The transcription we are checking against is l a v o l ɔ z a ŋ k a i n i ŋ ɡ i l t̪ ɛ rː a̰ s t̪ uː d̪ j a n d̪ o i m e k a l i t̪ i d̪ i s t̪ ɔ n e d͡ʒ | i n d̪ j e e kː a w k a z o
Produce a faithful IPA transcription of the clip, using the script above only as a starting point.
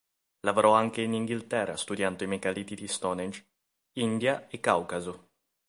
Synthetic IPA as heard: l a v o ɾ ɔ a ŋ k e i n i ŋ ɡ i l t̪ ɛ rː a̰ s t̪ u d̪ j a n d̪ o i m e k a l i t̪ i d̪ i s t̪ ɔ n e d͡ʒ | i n d̪ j a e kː a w k a z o